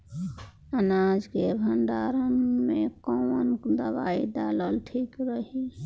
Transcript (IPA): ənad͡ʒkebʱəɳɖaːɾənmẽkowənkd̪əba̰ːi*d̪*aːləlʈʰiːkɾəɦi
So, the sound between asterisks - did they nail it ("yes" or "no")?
yes